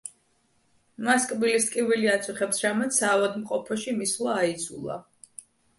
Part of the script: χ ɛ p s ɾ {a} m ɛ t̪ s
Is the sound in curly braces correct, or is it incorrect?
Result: correct